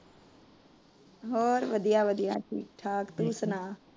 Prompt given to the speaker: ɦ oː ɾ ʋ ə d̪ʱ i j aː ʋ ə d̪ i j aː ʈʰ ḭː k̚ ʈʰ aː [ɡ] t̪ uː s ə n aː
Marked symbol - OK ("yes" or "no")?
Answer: no